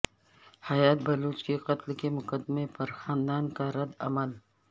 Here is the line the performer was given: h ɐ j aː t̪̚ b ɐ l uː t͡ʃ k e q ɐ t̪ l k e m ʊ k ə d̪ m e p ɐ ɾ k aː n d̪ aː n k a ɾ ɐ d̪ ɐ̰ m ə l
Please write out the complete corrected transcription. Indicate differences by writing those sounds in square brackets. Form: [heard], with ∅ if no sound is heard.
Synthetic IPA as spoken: h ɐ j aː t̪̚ b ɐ l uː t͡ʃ k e q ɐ t̪ l k e m ʊ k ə d̪ m e p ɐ ɾ [x] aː n d̪ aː n k a ɾ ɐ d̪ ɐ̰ m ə l

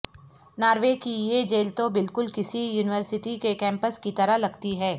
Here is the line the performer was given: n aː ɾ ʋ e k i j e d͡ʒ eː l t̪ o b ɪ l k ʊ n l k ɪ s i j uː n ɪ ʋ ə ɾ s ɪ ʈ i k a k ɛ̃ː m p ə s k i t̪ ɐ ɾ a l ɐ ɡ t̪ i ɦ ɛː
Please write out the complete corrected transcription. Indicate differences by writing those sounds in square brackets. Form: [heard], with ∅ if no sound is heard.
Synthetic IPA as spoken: n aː ɾ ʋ e k i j e d͡ʒ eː l t̪ o b ɪ l k ʊ [∅] l k ɪ s i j uː n ɪ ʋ ə ɾ s ɪ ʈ i k [e] k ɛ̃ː m p ə s k i t̪ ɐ ɾ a l ɐ ɡ t̪ i ɦ ɛː

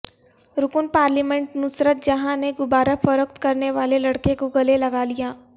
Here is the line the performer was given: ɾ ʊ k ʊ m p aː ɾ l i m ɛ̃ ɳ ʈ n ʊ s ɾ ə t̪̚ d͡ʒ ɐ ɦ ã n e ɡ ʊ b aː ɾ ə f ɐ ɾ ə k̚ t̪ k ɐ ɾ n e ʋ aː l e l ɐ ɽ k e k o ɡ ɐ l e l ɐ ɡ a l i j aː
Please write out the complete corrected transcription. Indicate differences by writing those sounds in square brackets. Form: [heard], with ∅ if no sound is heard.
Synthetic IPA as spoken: ɾ ʊ k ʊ [n] p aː ɾ l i m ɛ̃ ɳ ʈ n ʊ s ɾ ə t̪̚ d͡ʒ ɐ ɦ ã n e ɡ ʊ b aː ɾ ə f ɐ ɾ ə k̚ t̪ k ɐ ɾ n e ʋ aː l e l ɐ ɽ k e k o ɡ ɐ l e l ɐ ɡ a l i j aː

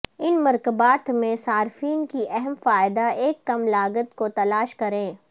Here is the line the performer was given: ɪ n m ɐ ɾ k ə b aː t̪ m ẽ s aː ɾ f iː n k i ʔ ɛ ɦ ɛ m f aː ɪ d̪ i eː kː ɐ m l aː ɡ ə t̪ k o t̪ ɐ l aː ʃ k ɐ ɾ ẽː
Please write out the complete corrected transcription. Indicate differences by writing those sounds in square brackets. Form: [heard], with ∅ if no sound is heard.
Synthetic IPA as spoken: ɪ n m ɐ ɾ k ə b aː t̪ m ẽ s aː ɾ f iː n k i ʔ ɛ ɦ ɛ m f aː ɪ d̪ [a] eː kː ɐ m l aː ɡ ə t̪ k o t̪ ɐ l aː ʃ k ɐ ɾ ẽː

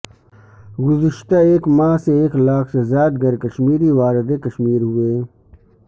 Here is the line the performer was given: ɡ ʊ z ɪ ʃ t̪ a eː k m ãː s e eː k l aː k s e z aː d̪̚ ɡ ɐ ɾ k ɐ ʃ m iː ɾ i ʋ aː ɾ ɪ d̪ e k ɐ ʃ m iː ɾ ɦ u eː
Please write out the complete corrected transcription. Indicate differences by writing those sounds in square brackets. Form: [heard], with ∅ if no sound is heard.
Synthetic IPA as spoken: ɡ ʊ z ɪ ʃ t̪ a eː k m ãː s e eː k l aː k s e z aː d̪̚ ɡ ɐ ɾ k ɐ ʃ m iː ɾ i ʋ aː ɾ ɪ d̪ e k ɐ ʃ m iː ɾ ɦ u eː

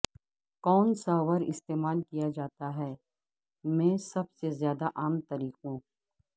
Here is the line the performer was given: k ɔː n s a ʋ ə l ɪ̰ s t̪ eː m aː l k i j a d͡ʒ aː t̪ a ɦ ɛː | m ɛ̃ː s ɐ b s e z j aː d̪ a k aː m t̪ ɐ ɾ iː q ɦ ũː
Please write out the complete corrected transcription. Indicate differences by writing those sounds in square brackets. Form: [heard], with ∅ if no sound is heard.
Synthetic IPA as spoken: k ɔː n s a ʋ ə [ɾ] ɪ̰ s t̪ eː m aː l k i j a d͡ʒ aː t̪ a ɦ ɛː | m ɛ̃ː s ɐ b s e z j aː d̪ a [ʔ] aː m t̪ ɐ ɾ iː q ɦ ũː

